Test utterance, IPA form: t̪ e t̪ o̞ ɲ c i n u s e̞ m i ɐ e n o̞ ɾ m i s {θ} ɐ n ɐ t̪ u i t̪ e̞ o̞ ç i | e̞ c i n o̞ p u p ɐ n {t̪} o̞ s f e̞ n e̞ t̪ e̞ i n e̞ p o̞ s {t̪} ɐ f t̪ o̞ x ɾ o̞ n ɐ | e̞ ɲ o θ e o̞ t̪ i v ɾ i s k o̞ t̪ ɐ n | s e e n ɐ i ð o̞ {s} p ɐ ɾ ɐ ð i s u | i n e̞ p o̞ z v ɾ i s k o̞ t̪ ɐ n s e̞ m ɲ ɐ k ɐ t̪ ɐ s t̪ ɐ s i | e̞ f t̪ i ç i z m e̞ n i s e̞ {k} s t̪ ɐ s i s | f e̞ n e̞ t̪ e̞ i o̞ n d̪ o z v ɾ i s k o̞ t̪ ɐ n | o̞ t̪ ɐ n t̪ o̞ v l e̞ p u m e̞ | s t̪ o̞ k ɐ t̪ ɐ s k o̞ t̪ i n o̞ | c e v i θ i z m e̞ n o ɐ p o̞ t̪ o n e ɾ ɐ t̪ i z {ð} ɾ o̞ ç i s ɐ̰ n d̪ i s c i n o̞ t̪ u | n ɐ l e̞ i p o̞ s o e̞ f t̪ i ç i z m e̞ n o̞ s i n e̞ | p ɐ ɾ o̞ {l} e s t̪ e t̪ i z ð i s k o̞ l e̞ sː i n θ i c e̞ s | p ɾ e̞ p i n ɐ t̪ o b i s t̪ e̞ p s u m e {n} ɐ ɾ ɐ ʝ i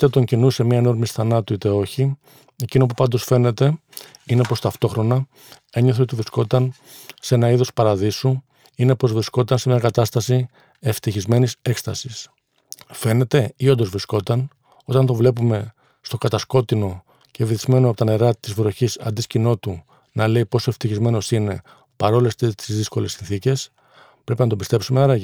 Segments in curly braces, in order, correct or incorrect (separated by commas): correct, incorrect, correct, correct, correct, incorrect, correct, correct